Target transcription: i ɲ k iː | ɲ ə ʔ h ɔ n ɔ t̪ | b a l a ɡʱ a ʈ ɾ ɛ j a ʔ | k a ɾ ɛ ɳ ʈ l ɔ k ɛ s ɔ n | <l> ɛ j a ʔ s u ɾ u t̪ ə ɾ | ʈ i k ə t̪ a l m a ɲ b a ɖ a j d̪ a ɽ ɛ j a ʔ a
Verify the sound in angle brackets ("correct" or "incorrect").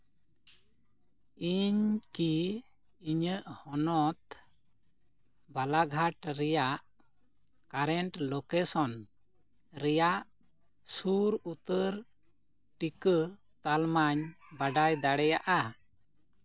incorrect